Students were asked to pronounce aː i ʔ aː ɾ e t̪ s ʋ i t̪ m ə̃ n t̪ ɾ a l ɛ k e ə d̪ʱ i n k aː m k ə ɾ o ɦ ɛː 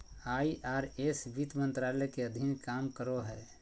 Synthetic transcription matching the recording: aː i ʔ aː ɾ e s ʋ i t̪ m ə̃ n t̪ ɾ a l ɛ k e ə d̪ʱ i n k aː m k ə ɾ o ɦ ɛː